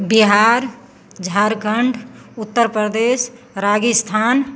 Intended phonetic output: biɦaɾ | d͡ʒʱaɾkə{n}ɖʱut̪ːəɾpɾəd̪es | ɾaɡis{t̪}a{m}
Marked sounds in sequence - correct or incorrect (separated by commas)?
incorrect, incorrect, incorrect